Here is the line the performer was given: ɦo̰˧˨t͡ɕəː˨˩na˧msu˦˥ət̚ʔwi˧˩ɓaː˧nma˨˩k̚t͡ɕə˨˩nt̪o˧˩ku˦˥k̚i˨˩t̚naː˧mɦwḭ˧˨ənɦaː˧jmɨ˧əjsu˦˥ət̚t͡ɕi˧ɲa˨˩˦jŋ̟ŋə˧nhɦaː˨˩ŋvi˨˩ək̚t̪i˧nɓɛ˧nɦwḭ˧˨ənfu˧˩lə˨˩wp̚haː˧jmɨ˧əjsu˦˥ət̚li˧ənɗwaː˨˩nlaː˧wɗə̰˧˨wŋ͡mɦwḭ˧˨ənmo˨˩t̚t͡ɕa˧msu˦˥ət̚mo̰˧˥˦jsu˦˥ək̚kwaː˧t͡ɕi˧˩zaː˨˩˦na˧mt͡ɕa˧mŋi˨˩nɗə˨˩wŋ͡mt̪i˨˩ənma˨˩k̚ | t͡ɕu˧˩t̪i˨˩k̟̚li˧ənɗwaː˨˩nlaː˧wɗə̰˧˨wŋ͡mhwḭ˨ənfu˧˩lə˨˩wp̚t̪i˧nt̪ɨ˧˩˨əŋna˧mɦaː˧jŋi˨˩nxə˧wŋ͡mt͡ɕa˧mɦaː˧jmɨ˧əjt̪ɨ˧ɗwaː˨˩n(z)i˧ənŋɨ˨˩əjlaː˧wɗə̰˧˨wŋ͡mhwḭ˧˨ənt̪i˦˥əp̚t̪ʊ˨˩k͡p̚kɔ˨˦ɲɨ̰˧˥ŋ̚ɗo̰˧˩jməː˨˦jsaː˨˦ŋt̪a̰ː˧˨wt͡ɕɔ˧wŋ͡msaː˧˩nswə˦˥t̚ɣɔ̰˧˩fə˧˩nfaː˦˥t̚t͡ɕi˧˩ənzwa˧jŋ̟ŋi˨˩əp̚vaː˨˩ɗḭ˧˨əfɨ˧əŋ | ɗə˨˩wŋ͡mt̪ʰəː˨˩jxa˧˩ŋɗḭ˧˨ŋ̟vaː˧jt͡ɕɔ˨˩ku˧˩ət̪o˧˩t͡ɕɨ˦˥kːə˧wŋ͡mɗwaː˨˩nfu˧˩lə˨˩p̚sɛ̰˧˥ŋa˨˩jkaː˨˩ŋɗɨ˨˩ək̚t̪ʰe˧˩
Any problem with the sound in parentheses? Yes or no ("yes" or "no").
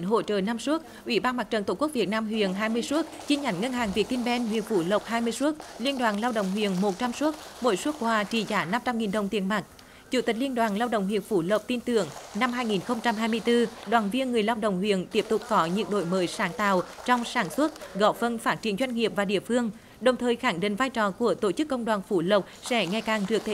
yes